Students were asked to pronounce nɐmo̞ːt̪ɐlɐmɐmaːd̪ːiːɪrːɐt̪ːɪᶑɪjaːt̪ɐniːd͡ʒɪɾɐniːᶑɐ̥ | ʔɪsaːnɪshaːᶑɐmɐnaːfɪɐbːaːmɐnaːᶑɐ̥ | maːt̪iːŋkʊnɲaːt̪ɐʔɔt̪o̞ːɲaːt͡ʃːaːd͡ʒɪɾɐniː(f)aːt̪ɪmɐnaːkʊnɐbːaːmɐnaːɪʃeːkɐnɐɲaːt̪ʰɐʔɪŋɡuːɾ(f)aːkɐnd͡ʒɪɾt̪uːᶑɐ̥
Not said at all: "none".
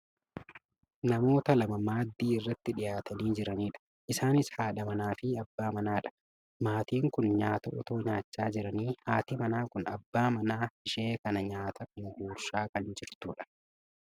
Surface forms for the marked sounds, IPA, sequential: h, ʃ

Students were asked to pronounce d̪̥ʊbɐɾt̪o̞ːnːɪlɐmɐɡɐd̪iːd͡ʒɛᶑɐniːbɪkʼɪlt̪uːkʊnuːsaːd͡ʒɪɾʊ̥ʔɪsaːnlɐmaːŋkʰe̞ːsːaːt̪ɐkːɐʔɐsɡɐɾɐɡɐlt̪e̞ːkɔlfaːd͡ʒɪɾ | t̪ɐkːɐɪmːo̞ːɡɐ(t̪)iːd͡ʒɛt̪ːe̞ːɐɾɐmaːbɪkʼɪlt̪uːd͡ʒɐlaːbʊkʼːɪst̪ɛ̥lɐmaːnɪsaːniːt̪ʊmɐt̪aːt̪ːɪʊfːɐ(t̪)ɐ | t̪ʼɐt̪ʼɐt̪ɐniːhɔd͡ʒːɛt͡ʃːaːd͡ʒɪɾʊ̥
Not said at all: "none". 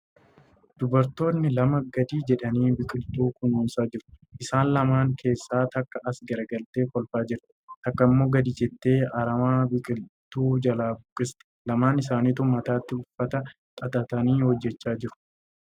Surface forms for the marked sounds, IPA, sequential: d̪, t̪

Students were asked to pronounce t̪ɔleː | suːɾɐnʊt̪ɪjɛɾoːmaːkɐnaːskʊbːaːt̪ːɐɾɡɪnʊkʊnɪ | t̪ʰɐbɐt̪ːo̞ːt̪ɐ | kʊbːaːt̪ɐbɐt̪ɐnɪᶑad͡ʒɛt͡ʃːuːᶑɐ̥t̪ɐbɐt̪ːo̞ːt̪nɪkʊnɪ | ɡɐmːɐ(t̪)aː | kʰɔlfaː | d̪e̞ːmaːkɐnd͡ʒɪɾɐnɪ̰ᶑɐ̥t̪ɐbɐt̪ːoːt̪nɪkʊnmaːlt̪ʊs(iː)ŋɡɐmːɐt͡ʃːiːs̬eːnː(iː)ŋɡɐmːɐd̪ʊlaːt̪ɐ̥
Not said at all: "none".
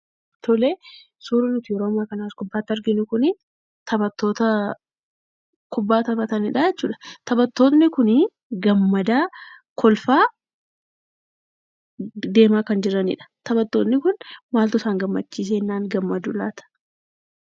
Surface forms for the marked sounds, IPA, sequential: d̪, aː, aː

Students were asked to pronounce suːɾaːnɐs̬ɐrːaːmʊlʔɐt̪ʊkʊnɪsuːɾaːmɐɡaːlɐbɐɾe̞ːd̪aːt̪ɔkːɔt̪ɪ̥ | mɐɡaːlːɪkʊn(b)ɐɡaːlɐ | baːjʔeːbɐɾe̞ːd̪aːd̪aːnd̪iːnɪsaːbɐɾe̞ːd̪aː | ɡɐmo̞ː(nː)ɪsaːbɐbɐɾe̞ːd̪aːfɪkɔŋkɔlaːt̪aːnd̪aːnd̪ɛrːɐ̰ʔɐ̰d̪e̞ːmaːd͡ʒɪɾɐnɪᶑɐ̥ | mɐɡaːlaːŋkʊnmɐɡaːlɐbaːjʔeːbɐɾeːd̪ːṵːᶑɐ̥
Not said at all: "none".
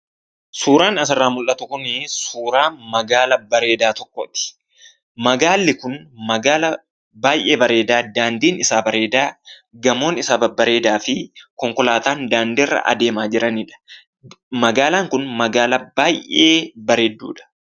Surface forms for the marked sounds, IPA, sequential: m, n

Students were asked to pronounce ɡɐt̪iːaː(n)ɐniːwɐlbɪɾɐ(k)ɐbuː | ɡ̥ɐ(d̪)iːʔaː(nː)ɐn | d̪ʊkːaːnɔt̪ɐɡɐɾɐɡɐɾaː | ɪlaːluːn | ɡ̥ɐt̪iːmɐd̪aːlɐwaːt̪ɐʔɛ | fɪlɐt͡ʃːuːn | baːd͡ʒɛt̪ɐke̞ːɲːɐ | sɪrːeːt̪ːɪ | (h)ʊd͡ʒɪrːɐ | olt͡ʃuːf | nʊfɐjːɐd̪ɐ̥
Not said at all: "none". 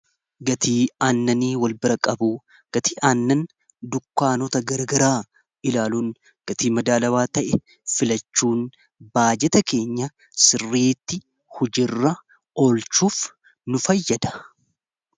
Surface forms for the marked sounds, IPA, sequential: nː, kʼ, t̪, nː, h

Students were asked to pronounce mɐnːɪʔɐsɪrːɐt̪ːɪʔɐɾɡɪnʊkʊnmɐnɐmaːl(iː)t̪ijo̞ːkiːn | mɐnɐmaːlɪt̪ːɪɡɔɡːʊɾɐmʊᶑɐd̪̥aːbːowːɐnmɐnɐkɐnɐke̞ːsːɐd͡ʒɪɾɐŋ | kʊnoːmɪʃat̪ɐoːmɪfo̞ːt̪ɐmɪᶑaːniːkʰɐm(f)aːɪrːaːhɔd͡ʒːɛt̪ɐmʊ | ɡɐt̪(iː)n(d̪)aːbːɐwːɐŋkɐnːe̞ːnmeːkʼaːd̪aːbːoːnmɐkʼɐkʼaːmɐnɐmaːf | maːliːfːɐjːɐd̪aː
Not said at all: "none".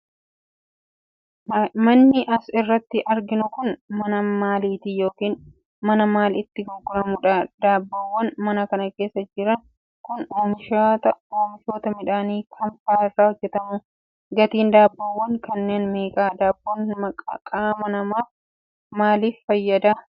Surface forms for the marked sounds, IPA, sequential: iː, f, iː, d̪

